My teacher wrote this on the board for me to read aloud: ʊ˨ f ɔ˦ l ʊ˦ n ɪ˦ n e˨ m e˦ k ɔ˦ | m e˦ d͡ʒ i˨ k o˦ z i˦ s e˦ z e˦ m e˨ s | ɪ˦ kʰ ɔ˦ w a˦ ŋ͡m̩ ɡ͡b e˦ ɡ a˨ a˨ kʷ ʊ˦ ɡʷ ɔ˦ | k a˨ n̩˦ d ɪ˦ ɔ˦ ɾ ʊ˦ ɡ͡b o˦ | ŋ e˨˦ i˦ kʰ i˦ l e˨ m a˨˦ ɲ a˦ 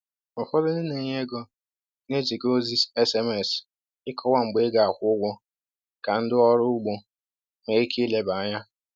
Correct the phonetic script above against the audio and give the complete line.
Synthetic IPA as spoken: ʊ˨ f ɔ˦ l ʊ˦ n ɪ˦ n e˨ ɲ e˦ ɡ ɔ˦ | n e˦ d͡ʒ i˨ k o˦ z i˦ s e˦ s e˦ m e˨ s | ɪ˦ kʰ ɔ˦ w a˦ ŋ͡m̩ ɡ͡b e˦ ɡ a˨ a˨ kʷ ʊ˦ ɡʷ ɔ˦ | k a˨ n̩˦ d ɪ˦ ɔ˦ ɾ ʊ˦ ɡ͡b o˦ | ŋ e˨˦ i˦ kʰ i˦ l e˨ b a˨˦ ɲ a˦